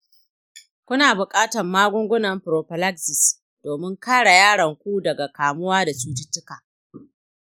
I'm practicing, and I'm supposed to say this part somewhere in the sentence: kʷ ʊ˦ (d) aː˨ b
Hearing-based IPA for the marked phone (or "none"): n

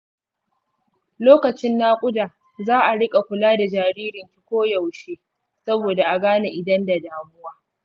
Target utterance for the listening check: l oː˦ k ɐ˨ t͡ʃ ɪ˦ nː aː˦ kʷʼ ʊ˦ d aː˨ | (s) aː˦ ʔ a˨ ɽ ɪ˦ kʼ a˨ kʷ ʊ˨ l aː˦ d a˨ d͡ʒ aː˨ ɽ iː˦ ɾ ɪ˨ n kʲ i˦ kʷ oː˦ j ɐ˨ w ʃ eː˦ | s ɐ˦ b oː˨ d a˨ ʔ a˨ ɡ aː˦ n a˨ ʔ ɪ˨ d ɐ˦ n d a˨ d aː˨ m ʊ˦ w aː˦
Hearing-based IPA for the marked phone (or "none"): z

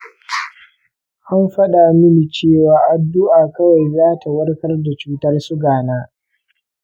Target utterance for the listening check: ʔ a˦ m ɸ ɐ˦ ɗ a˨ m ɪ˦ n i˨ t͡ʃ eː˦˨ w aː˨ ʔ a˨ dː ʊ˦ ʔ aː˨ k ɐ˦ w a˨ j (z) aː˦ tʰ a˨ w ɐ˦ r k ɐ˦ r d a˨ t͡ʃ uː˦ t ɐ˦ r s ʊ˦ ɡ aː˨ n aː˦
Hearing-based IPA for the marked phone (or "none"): z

